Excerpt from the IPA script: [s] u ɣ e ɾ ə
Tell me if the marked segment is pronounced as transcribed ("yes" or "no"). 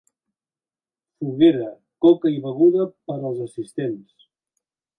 no